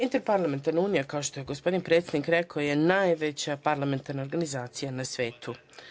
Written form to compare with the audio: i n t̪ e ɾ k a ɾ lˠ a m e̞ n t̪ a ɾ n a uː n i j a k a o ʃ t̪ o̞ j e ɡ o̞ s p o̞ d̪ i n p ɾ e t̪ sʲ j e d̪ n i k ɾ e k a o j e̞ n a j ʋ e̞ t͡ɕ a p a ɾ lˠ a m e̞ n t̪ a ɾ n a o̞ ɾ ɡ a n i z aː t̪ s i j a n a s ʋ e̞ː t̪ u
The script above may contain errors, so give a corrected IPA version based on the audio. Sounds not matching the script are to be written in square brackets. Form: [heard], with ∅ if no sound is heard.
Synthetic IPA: i n t̪ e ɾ [p] a ɾ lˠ a m e̞ n t̪ a ɾ n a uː n i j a k a o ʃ t̪ o̞ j e ɡ o̞ s p o̞ d̪ i n p ɾ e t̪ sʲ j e d̪ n i k ɾ e k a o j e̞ n a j ʋ e̞ t͡ɕ a p a ɾ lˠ a m e̞ n t̪ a ɾ n a o̞ ɾ ɡ a n i z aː t̪ s i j a n a s ʋ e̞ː t̪ u

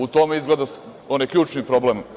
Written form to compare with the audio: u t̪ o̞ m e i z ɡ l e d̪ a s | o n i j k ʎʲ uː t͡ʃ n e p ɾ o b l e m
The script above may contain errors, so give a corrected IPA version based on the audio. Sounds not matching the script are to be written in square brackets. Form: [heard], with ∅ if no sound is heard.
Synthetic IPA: u t̪ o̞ m e i z ɡ l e d̪ a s | o n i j k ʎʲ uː t͡ʃ n [i] p ɾ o b l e m

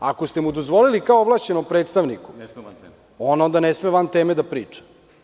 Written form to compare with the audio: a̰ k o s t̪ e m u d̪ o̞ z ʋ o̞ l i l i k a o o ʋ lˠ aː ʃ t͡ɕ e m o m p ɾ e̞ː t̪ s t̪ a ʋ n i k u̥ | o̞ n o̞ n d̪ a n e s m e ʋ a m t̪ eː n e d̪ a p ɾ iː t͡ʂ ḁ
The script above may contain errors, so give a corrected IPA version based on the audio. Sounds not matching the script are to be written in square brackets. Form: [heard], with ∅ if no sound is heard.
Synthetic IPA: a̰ k o s t̪ e m u d̪ o̞ z ʋ o̞ l i l i k a o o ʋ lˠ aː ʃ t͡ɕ e [n] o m p ɾ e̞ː t̪ s t̪ a ʋ n i k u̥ | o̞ n o̞ n d̪ a n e s m e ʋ a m t̪ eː [m] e d̪ a p ɾ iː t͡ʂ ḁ

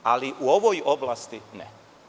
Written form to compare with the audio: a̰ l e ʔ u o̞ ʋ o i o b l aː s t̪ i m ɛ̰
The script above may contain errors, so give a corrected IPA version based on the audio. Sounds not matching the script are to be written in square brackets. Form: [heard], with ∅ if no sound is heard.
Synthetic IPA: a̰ l [i] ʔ u o̞ ʋ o [j] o b l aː s t̪ i [n] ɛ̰

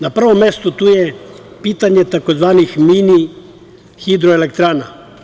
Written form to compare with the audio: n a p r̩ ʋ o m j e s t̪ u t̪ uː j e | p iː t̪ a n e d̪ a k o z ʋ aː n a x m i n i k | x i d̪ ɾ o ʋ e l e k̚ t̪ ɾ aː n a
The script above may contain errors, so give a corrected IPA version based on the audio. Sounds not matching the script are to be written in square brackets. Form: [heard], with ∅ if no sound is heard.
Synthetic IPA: n a p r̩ ʋ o m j e s t̪ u t̪ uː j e | p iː t̪ a [ɲ] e [t̪] a k o z ʋ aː n [i] x m i n i [∅] | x i d̪ ɾ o [∅] e l e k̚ t̪ ɾ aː n a

